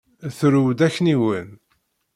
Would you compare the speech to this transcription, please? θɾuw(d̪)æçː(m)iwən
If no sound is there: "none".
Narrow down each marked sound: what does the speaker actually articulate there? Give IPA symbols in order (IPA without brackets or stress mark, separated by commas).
d̪, n